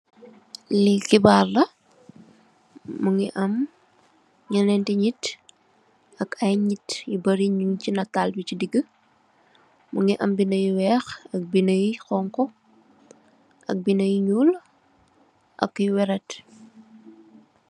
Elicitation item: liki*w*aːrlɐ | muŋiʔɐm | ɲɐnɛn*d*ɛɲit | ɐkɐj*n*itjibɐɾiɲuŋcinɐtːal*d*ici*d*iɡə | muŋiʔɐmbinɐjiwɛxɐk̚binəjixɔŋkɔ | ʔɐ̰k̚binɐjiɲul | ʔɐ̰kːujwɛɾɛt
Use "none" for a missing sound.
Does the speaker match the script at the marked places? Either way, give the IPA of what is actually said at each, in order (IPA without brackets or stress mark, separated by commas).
b, t, ɲ, b, d